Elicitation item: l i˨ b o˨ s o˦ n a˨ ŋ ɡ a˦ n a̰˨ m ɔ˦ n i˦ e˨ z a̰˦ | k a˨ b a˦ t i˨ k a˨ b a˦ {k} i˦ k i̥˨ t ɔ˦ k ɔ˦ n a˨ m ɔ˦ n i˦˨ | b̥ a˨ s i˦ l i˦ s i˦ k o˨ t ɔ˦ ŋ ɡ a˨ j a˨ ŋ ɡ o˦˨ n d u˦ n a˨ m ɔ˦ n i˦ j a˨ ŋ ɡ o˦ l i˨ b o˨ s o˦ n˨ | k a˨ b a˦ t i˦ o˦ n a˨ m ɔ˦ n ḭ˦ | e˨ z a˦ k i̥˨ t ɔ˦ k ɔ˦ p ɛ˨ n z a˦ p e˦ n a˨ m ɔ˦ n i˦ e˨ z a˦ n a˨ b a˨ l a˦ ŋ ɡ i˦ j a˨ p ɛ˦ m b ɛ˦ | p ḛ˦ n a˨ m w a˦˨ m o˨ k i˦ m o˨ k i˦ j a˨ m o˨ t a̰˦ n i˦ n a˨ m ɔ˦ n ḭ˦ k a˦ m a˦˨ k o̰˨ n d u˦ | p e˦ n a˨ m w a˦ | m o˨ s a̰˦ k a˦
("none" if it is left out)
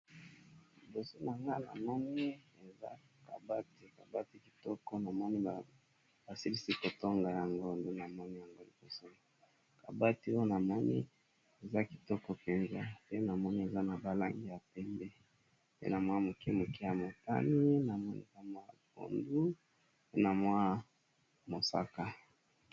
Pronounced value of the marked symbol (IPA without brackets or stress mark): t